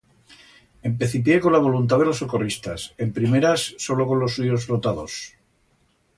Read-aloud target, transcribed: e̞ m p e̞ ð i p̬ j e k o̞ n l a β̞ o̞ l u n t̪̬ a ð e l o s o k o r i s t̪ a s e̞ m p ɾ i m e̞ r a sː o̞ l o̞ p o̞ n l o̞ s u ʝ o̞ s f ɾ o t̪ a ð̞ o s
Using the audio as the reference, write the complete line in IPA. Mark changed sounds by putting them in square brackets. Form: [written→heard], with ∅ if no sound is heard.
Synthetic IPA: e̞ m p e̞ [ð→θ] i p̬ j e k o̞ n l a β̞ o̞ l u n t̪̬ a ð e l o s o k o r i s t̪ a s e̞ m p ɾ i m e̞ [r→ɾ] a sː o̞ l o̞ [p→k] o̞ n l o̞ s u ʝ o̞ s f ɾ o t̪ a ð̞ o s